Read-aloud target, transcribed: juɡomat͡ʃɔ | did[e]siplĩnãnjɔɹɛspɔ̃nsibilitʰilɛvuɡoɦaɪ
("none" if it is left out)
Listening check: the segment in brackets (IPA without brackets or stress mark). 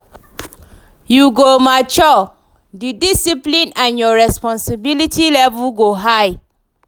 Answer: i